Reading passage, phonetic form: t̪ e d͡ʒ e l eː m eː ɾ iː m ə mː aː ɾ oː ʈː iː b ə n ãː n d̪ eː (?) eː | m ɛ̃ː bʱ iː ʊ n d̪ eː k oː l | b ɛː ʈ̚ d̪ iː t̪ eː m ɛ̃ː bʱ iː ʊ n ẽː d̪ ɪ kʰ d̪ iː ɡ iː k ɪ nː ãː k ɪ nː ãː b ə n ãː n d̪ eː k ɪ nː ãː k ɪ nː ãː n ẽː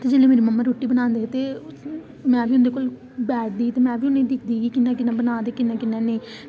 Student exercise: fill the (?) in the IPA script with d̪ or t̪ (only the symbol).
t̪